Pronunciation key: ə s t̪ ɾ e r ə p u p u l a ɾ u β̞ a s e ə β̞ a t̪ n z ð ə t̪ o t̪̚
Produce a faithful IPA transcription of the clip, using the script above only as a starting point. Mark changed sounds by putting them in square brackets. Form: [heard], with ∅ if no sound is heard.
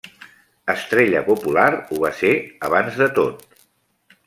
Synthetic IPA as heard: ə s t̪ ɾ e [ʎ] ə p u p u l a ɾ u β̞ a s e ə β̞ a [∅] n z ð ə t̪ o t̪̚